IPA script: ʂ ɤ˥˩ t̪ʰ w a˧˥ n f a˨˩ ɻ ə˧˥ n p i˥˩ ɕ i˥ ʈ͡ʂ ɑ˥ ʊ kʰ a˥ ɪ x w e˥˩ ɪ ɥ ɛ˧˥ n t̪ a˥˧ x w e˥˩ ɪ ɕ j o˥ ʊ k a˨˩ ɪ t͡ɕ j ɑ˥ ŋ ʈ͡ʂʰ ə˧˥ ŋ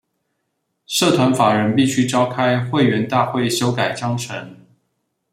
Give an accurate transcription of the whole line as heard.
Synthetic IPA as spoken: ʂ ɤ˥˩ t̪ʰ w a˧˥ n f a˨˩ ɻ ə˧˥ n p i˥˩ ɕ y˥ ʈ͡ʂ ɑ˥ ʊ kʰ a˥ ɪ x w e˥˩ ɪ ɥ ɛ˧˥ n t̪ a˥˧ x w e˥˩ ɪ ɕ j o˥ ʊ k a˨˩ ɪ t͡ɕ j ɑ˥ ŋ ʈ͡ʂʰ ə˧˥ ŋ